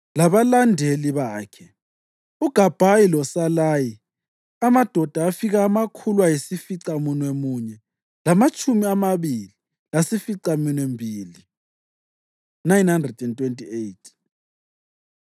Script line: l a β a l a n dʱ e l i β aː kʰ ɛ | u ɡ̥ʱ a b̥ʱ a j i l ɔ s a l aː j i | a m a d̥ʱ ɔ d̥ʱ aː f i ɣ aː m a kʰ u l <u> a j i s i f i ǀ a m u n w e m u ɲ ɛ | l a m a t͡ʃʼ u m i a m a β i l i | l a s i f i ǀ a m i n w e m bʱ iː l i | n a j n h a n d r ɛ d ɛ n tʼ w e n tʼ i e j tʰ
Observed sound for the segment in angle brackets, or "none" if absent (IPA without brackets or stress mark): w